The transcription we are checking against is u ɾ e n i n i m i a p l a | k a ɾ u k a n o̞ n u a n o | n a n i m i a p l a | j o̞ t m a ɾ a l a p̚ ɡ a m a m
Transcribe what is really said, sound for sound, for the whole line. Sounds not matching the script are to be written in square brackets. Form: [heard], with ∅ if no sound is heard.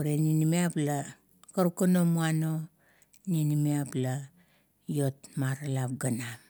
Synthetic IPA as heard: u ɾ e n i n i m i a p l a | k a ɾ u k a n o̞ [m] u a n o | n [i] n i m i a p l a | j o̞ t m a ɾ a l a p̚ ɡ a [n] a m